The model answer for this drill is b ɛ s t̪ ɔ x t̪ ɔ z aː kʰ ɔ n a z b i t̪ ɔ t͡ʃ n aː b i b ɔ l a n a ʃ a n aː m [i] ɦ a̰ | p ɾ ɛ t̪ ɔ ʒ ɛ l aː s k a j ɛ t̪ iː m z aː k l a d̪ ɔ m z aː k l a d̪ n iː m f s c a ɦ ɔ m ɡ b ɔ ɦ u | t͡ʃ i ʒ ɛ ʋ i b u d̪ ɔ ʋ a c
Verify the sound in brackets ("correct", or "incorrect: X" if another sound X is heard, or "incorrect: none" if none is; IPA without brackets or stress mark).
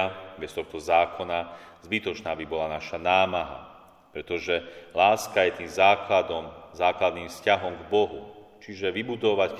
incorrect: a